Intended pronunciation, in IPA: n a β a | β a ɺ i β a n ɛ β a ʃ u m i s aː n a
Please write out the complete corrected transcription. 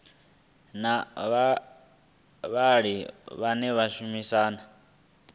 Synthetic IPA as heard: n a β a | β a ɺ i β a n ɛ β a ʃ u m i s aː n a